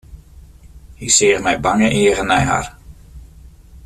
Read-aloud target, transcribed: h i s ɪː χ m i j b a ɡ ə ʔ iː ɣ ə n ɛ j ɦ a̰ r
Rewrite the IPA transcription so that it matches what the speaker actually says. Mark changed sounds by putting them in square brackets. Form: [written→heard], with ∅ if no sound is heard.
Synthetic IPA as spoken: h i s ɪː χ m [i→ɛ] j b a [ɡ→ŋ] ə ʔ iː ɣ ə n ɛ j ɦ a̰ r